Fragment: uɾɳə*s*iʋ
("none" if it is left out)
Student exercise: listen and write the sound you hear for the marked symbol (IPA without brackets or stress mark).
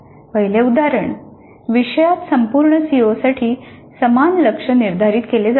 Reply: s